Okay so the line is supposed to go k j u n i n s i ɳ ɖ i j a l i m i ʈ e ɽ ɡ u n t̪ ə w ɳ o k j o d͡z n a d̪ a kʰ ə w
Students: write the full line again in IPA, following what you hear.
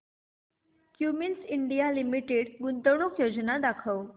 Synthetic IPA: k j u m i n s i ɳ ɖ i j a l i m i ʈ e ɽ ɡ u n t̪ ə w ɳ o k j o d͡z n a d̪ a kʰ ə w